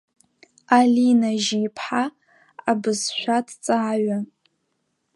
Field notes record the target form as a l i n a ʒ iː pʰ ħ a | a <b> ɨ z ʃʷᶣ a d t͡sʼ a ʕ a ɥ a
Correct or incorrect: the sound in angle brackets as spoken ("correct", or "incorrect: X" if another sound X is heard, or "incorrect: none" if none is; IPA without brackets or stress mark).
correct